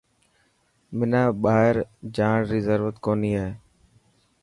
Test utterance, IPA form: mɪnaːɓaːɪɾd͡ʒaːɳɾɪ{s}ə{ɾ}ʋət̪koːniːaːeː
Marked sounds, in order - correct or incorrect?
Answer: incorrect, correct

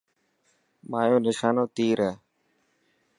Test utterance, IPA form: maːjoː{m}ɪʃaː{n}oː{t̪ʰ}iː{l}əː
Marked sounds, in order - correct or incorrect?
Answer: incorrect, correct, incorrect, incorrect

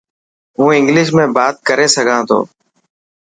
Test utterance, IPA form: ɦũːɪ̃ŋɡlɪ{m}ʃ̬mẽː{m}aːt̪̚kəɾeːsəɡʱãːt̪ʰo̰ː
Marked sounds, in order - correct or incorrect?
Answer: incorrect, incorrect

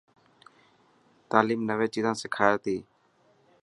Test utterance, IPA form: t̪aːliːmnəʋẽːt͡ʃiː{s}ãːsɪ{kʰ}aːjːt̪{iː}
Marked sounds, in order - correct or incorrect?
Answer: incorrect, correct, correct

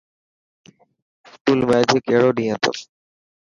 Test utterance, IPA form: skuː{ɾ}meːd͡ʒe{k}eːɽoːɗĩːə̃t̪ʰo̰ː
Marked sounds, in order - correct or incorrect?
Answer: incorrect, correct

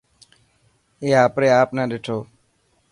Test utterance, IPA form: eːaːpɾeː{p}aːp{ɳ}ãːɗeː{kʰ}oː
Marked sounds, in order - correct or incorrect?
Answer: incorrect, incorrect, incorrect

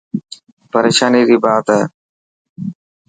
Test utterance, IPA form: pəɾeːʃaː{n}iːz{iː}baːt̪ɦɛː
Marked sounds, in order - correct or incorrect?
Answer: correct, correct

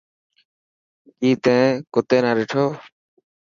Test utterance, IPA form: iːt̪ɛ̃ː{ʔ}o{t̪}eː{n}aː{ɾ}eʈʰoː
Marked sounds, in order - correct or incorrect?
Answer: incorrect, correct, correct, correct

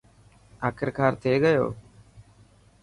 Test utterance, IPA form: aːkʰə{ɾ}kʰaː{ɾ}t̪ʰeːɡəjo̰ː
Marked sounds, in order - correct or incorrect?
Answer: correct, correct

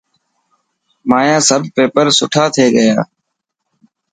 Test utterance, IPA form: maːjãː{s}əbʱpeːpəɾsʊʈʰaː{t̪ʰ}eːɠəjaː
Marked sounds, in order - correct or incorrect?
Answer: correct, correct

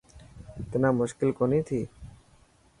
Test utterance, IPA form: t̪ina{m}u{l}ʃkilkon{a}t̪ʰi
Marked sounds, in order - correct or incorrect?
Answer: correct, incorrect, incorrect

